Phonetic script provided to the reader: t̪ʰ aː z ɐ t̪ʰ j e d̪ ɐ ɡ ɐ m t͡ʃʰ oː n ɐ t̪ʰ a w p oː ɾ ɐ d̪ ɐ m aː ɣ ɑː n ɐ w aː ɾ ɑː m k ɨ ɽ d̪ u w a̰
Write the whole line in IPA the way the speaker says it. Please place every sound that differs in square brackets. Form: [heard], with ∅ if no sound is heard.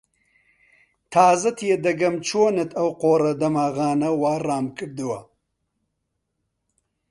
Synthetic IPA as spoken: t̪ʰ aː z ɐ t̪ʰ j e d̪ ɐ ɡ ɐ m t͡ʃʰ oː n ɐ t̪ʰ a w [q] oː ɾ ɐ d̪ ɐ m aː ɣ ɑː n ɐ w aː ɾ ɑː m k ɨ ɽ d̪ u w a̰